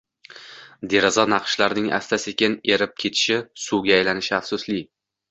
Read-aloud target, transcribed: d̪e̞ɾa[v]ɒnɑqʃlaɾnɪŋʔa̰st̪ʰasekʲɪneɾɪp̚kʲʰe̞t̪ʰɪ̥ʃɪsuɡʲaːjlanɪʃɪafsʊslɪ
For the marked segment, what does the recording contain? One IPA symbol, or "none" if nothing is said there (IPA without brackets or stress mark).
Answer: z